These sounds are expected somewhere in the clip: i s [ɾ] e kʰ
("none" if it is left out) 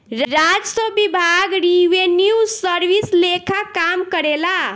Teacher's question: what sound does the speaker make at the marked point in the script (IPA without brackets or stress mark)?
l